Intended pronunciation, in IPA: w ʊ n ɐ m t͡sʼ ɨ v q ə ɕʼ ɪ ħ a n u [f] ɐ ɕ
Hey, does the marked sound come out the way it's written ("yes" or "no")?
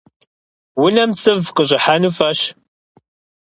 yes